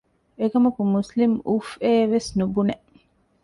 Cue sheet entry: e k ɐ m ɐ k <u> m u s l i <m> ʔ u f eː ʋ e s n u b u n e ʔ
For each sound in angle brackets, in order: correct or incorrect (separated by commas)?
correct, correct